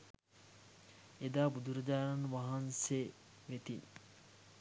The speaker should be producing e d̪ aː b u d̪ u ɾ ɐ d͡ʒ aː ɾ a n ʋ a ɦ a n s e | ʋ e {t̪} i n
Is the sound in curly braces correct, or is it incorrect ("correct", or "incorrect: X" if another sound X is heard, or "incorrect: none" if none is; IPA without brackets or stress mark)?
correct